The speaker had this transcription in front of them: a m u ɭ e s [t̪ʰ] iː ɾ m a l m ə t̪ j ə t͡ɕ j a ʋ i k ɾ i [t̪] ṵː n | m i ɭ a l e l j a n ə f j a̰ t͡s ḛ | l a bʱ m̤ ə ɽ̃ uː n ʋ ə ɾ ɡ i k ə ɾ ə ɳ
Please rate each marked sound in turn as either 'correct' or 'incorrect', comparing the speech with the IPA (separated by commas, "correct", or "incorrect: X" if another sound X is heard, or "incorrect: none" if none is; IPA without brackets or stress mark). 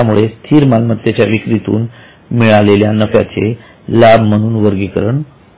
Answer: correct, correct